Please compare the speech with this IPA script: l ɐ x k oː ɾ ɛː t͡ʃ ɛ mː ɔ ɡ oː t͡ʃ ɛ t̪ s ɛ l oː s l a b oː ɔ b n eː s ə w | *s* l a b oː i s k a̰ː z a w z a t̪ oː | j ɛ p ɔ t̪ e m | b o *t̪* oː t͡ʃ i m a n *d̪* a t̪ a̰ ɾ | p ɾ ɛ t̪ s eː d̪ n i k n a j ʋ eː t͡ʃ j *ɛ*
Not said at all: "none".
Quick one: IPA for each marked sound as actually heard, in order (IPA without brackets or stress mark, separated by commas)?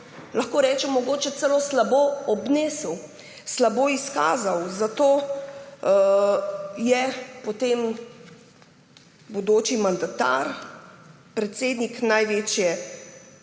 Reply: s, d̪, d̪, ɛ